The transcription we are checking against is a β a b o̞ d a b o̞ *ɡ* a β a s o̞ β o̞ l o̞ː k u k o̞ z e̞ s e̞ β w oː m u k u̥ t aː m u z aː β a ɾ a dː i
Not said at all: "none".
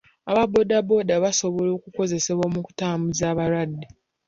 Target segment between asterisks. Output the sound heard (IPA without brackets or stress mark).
d